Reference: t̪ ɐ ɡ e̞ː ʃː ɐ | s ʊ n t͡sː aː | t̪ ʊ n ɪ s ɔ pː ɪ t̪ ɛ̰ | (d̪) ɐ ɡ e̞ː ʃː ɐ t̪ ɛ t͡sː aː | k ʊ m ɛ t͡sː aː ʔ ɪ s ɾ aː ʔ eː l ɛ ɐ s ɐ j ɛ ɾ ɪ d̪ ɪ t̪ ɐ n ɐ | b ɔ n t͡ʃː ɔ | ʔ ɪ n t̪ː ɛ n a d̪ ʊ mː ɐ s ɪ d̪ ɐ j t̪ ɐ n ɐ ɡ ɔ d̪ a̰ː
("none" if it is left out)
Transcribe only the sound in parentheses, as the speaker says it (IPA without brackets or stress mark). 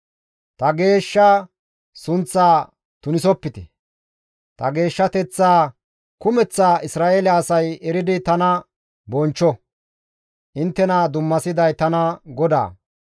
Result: t̪